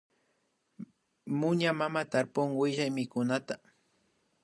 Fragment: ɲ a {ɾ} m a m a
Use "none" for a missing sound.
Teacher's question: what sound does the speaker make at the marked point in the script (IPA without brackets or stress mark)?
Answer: none